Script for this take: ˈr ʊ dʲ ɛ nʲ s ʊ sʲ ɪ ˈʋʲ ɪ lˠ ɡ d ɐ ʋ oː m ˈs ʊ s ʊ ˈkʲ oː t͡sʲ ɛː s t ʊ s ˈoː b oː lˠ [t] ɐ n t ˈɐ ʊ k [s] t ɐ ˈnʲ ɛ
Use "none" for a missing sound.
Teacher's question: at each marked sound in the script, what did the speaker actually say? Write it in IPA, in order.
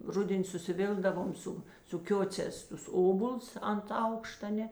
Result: s, ʃ

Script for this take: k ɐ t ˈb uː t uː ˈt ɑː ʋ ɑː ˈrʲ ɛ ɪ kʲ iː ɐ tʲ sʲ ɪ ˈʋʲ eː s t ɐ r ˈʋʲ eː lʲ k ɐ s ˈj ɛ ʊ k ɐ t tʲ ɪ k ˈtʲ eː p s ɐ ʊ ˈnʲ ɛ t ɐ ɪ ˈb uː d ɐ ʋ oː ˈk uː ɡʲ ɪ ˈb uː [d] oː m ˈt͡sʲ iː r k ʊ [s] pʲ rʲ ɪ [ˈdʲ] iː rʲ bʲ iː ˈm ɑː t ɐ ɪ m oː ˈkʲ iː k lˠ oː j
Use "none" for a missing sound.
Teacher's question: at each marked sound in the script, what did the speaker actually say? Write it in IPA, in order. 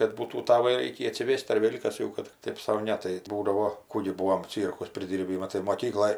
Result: none, s, dʲ

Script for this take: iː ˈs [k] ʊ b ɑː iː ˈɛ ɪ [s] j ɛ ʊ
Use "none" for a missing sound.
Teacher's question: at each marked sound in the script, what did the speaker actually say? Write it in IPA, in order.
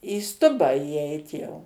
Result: t, t

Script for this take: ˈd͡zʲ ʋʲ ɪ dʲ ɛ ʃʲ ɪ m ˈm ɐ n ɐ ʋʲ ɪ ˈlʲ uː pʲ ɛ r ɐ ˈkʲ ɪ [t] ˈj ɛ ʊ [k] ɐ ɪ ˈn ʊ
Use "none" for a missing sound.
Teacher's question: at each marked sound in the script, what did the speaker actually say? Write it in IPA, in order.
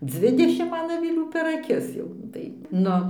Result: s, t

